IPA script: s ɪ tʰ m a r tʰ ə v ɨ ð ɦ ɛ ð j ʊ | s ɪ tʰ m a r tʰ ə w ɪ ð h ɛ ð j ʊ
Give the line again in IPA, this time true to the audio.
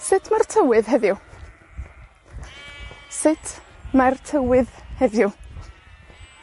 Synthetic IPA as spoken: s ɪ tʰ m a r tʰ ə w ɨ ð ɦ ɛ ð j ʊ | s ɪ tʰ m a r tʰ ə w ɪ ð h ɛ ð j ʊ